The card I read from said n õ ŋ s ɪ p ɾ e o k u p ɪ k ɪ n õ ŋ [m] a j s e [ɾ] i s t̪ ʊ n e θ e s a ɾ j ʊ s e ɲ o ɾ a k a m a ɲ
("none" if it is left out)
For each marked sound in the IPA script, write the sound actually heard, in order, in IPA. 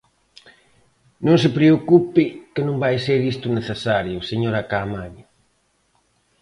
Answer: b, ɾ

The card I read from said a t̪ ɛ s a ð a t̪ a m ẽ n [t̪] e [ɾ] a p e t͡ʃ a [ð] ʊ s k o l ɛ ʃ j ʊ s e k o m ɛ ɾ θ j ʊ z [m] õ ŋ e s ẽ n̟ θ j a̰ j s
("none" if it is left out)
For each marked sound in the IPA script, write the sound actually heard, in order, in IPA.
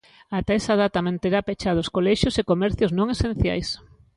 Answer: t̪, ɾ, ð, n

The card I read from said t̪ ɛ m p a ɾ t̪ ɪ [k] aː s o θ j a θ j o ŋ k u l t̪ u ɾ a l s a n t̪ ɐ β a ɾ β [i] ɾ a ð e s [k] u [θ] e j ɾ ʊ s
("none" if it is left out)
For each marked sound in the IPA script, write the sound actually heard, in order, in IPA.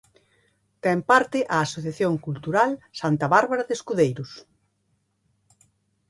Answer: ʔ, a, k, ð

